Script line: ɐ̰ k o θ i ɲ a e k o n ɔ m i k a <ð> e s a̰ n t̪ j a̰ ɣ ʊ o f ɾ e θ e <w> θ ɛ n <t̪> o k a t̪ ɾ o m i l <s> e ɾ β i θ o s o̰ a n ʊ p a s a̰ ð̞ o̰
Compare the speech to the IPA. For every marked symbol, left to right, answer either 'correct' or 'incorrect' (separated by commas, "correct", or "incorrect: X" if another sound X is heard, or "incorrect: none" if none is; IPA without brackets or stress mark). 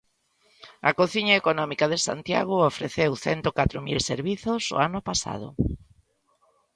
correct, correct, correct, correct